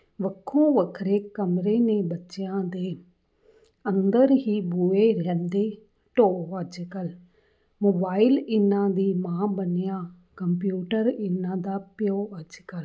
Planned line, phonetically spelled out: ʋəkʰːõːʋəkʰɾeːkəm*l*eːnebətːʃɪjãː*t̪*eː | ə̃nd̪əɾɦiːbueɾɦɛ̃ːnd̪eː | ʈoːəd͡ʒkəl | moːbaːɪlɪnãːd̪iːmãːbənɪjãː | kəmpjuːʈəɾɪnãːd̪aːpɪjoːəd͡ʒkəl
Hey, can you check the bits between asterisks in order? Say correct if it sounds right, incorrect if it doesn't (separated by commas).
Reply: incorrect, incorrect